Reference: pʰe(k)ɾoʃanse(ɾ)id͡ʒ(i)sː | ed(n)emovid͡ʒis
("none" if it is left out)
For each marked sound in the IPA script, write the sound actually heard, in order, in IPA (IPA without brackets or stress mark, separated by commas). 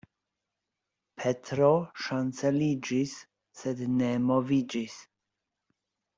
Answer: t, l, i, n